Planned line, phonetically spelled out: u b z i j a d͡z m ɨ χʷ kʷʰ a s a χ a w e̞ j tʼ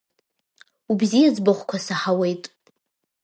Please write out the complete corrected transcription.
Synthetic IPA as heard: u b z i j a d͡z b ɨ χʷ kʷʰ a s a ħ a w e̞ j tʼ